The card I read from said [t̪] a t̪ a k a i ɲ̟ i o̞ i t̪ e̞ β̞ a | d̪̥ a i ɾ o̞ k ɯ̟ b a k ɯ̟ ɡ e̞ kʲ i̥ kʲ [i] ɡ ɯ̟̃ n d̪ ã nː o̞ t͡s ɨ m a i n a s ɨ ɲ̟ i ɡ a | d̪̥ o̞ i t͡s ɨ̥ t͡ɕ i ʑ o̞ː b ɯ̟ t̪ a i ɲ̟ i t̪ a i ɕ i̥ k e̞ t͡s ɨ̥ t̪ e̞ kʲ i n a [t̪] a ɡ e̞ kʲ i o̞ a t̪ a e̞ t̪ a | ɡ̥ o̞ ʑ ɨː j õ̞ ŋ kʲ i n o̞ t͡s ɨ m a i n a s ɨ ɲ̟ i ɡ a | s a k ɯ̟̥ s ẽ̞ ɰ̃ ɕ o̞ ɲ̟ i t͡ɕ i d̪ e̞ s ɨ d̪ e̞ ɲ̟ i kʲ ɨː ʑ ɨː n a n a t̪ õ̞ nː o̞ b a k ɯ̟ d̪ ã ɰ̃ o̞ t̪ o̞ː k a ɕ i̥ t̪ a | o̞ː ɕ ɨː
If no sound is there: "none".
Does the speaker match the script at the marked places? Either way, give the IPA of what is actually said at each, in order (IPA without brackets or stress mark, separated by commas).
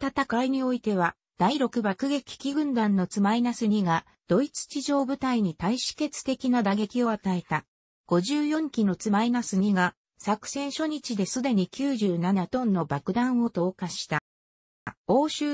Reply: t̪, i, d̪